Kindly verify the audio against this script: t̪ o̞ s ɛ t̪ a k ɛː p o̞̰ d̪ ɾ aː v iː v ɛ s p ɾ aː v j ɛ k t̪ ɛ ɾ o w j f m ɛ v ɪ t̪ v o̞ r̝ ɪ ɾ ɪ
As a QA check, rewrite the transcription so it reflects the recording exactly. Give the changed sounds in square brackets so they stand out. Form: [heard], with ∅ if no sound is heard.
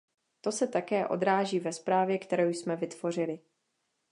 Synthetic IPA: t̪ o̞ s ɛ t̪ a k ɛː [ʔ] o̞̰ d̪ ɾ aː [ʒ] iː v ɛ s p ɾ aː v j ɛ k t̪ ɛ ɾ o w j [s] m ɛ v ɪ t̪ v o̞ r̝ ɪ [l] ɪ